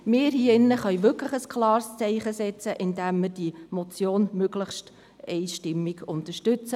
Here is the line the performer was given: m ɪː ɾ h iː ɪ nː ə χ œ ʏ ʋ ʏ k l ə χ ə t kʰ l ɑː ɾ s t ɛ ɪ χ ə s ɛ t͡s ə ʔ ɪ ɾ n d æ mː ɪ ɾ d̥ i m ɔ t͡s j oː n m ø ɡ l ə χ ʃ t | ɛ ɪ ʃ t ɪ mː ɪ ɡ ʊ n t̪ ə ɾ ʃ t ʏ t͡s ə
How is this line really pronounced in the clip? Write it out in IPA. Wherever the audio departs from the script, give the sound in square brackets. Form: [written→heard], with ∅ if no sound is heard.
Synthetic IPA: m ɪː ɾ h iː ɪ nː ə χ œ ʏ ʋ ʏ k l ə χ ə [t→s] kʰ l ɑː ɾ s [t→t͡s] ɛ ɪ χ ə s ɛ t͡s ə ʔ ɪ [ɾ→∅] n d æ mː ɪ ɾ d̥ i m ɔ t͡s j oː n m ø ɡ l ə χ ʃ t | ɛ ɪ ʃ t ɪ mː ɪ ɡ ʊ n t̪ ə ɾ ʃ t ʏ t͡s ə